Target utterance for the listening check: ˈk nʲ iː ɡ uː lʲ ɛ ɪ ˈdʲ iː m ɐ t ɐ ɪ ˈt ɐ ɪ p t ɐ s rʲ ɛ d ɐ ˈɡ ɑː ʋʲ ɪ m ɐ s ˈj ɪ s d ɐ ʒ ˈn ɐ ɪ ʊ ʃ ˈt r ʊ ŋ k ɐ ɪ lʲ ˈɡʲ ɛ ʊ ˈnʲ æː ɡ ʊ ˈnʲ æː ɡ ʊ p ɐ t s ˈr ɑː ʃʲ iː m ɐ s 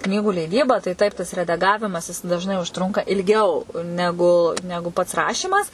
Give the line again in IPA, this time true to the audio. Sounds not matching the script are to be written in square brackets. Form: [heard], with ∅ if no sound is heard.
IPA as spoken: ˈk nʲ iː ɡ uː lʲ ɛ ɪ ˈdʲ iː [b] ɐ t ɐ ɪ ˈt ɐ ɪ p t ɐ s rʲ ɛ d ɐ ˈɡ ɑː ʋʲ ɪ m ɐ s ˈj ɪ s d ɐ ʒ ˈn ɐ ɪ ʊ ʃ ˈt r ʊ ŋ k ɐ ɪ lʲ ˈɡʲ ɛ ʊ ˈnʲ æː ɡ ʊ ˈnʲ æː ɡ ʊ p ɐ t s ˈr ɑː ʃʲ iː m ɐ s